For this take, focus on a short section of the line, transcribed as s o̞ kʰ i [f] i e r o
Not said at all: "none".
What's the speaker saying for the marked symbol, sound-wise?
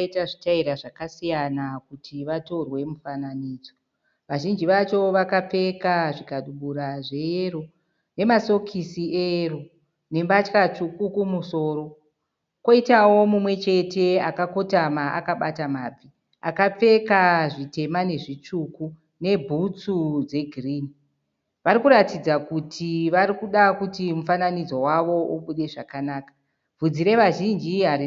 s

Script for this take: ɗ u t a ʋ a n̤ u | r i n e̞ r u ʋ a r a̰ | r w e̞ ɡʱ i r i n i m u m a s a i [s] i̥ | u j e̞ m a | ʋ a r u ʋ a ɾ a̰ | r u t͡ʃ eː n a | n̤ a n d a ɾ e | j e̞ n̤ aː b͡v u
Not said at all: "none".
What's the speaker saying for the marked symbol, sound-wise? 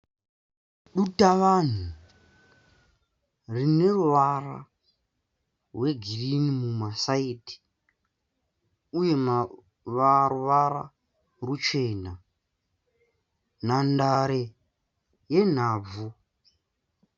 t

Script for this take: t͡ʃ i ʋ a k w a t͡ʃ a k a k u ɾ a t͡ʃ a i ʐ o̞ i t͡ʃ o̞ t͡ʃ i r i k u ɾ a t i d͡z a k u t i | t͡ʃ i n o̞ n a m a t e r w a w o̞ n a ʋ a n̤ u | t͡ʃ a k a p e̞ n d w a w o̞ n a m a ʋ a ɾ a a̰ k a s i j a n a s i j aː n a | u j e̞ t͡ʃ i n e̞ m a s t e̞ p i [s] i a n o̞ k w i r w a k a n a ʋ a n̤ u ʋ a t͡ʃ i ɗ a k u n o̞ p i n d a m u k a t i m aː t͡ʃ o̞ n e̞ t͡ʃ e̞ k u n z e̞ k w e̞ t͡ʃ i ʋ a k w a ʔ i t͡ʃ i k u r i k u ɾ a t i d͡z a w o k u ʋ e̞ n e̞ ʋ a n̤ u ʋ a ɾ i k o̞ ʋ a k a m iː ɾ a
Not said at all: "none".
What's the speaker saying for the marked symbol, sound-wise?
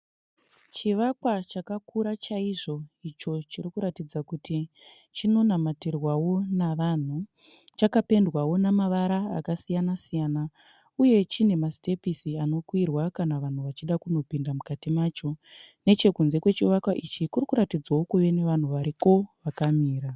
s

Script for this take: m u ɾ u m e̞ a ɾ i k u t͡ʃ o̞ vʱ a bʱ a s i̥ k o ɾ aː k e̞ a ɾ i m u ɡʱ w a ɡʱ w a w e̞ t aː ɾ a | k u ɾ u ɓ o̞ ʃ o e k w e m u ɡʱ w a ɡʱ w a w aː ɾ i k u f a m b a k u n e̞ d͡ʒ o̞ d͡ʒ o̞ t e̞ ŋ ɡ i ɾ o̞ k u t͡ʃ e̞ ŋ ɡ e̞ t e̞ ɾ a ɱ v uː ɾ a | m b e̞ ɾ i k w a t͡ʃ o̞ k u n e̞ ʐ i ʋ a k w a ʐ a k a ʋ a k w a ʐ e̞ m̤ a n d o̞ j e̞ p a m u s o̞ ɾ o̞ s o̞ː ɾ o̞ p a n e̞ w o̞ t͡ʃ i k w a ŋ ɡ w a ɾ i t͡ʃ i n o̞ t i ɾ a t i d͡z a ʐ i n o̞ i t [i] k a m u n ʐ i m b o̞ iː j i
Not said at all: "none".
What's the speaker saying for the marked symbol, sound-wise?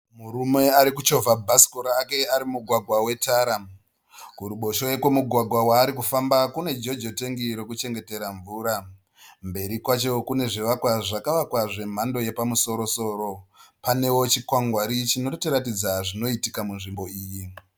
i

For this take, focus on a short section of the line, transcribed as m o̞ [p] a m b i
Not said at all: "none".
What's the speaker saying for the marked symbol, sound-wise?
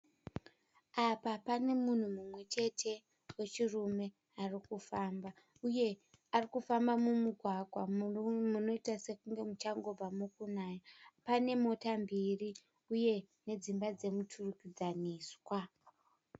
t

